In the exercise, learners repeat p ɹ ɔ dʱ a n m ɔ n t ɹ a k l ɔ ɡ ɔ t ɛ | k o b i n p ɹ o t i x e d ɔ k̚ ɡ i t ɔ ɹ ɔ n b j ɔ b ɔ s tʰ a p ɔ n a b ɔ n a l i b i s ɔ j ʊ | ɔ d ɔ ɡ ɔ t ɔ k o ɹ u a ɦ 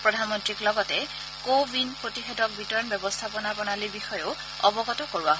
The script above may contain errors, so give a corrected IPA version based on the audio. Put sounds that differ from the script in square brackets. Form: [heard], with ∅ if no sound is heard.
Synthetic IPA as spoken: p ɹ ɔ dʱ a n m ɔ n t ɹ [i] k l ɔ ɡ ɔ t ɛ | k o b i n p ɹ o t i x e d ɔ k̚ [b] i t ɔ ɹ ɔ n b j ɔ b ɔ s tʰ a p ɔ n a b ɔ n a l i b i [x] ɔ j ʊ | ɔ [b] ɔ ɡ ɔ t ɔ k o ɹ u a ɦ